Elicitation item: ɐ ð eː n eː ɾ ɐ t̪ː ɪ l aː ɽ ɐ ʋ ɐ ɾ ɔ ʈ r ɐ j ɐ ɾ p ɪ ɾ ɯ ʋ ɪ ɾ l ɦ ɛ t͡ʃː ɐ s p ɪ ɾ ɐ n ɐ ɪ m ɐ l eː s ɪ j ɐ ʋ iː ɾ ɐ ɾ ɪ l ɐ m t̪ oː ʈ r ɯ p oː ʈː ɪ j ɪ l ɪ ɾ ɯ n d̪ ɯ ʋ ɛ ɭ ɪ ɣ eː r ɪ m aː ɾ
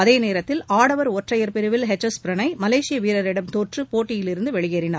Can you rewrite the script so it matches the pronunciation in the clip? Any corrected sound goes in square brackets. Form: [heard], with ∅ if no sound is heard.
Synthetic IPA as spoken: ɐ ð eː n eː ɾ ɐ t̪ː ɪ l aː ɽ ɐ ʋ ɐ ɾ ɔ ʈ r ɐ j ɐ ɾ p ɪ ɾ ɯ ʋ ɪ [∅] l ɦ ɛ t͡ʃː ɐ s p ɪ ɾ ɐ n ɐ ɪ m ɐ l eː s ɪ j ɐ ʋ iː ɾ ɐ ɾ ɪ [ɽ] ɐ m t̪ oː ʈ r ɯ p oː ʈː ɪ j ɪ l ɪ ɾ ɯ n d̪ ɯ ʋ ɛ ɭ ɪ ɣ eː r ɪ [n] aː ɾ